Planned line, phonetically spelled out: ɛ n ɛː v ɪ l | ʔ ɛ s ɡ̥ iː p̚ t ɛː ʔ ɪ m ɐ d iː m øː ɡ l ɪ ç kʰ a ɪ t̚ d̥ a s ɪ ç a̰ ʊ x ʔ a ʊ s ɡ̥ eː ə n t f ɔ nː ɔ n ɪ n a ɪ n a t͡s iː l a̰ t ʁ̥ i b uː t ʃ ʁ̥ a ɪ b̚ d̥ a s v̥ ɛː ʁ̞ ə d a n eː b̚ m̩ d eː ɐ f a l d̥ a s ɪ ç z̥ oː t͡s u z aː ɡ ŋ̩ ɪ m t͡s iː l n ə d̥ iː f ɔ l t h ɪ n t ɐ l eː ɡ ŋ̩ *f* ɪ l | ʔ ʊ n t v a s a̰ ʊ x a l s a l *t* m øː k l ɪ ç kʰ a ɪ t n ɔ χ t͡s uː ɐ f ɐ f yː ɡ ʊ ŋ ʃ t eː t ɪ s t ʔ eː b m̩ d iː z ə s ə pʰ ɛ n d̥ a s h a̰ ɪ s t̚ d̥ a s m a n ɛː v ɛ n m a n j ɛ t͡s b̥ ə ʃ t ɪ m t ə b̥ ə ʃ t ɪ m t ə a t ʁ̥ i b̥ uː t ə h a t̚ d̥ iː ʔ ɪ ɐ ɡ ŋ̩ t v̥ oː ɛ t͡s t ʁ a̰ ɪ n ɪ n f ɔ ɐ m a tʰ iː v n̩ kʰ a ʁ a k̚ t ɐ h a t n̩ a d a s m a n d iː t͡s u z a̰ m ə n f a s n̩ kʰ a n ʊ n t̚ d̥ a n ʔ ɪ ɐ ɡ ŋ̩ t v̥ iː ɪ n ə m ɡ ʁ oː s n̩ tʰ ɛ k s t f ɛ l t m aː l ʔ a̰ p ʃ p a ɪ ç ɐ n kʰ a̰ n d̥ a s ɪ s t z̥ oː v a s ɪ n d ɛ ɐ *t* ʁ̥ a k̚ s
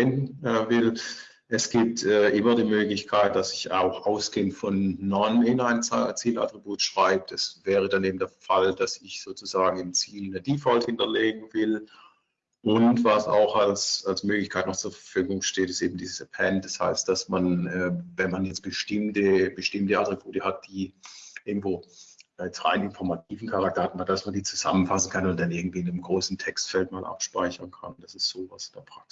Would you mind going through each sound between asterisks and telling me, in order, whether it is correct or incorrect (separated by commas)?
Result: incorrect, incorrect, incorrect